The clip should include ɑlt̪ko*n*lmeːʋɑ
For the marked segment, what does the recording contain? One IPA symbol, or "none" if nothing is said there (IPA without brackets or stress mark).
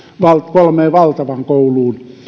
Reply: none